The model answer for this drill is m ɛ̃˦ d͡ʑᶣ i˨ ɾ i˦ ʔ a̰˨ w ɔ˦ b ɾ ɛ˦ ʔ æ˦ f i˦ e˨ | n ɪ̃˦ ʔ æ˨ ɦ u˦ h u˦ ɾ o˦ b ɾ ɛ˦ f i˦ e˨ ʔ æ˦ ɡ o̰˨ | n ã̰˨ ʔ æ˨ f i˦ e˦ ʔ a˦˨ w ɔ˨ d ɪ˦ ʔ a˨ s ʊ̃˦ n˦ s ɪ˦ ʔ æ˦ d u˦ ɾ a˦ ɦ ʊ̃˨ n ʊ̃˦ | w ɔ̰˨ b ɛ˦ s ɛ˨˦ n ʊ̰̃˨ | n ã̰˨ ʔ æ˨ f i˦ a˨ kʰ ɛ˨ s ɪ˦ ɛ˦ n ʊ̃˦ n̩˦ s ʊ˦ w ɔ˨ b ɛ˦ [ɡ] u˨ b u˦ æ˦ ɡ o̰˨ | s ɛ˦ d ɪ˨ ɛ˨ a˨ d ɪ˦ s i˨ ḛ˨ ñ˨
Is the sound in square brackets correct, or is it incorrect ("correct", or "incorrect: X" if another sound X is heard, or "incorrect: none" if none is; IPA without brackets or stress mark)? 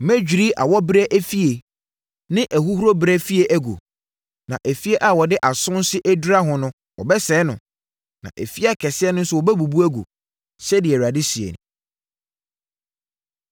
incorrect: b